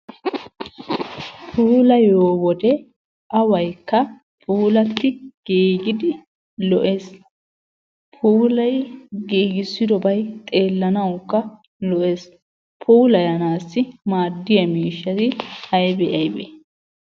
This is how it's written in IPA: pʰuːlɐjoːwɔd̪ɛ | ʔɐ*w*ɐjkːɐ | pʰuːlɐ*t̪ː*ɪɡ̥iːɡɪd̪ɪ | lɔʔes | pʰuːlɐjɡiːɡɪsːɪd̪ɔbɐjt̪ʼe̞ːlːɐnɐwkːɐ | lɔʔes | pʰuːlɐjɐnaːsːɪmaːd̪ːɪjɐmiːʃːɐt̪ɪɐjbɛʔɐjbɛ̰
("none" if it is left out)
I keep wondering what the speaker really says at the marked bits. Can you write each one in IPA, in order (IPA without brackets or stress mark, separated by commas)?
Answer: w, t̪ː